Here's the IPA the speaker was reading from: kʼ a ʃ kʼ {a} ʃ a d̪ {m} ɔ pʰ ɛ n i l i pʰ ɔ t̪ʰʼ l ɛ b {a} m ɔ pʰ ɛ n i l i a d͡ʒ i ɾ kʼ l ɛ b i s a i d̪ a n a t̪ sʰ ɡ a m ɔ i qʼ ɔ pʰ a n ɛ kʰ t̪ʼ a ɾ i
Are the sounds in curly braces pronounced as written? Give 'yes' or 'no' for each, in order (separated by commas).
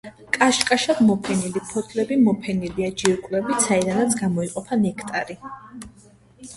yes, yes, no